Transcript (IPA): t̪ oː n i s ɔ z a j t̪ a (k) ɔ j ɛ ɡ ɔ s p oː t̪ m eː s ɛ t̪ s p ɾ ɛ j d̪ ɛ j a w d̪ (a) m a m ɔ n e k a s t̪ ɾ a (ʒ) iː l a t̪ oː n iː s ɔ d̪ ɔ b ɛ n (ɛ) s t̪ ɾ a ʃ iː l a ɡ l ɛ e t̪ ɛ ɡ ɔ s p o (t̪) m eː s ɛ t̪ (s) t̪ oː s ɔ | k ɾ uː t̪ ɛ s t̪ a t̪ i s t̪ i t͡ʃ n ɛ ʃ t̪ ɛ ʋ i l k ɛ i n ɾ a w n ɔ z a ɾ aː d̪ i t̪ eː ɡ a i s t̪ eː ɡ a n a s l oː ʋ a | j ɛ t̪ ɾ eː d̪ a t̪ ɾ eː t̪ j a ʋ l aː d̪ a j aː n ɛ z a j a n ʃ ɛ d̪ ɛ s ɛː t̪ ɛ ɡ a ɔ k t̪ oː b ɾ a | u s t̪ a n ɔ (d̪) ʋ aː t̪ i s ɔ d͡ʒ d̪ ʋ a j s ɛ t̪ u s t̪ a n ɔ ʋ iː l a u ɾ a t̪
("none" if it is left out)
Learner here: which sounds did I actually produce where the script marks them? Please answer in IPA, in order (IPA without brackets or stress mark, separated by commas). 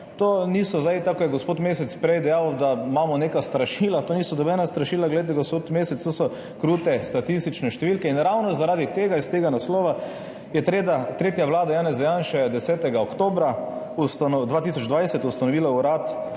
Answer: k, a, ʃ, a, t̪, s, d̪